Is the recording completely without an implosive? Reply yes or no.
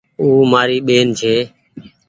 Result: no